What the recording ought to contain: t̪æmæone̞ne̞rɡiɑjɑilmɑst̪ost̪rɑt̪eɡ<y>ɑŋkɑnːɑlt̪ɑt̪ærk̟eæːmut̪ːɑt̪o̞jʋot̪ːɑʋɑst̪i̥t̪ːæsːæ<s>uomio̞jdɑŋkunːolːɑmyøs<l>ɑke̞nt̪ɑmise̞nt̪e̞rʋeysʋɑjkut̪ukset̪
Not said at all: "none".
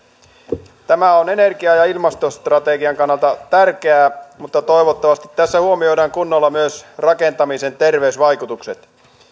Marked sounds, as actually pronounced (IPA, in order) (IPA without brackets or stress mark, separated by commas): i, h, r